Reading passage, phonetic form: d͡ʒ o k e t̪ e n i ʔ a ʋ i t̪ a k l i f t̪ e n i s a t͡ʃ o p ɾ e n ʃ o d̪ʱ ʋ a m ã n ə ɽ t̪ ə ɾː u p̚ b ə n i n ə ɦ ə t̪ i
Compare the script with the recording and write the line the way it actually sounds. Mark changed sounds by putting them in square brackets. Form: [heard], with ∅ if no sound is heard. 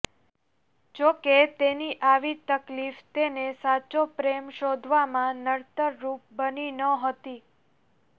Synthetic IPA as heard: d͡ʒ o k e t̪ e n i ʔ a ʋ i t̪ [ə] k l i f t̪ e n [e] s a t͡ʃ o p ɾ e [m] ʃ o d̪ʱ ʋ a m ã n ə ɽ t̪ ə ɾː u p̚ b ə n i n ə ɦ ə t̪ i